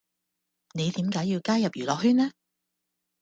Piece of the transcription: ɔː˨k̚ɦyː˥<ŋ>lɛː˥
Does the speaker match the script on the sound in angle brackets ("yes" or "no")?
no